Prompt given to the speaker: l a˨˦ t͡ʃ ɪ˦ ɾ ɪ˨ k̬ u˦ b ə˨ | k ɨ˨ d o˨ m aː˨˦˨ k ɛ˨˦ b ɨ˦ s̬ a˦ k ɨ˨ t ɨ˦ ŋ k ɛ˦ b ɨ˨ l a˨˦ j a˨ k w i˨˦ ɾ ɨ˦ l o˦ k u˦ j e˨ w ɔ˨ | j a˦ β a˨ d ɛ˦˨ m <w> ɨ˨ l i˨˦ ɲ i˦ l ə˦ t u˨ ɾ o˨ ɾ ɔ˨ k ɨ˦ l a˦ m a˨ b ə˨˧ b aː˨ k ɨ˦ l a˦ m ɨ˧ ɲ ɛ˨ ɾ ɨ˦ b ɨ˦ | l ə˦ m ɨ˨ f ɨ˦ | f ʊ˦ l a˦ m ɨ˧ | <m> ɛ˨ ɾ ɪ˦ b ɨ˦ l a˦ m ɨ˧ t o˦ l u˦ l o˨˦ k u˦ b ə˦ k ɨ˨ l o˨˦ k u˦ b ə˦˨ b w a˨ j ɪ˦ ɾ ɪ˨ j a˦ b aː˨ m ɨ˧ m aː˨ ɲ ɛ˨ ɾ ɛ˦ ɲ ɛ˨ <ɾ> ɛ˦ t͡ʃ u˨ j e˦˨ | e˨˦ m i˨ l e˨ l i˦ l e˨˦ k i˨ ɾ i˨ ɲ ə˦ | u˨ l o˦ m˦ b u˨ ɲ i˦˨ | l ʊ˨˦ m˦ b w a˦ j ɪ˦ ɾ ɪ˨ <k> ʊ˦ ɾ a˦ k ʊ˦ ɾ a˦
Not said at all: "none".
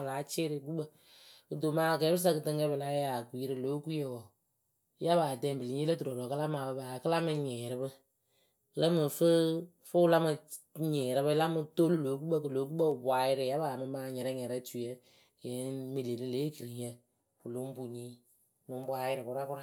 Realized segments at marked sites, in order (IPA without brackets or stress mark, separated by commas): b, ɲ, ɾ, k